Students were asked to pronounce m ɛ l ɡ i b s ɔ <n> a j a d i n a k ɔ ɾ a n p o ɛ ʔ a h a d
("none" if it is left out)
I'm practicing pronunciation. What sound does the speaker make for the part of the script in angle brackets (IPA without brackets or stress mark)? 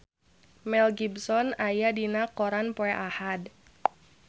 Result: n